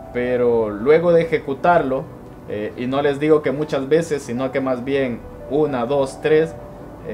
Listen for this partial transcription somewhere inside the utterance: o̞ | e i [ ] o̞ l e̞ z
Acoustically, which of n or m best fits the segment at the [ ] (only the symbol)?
n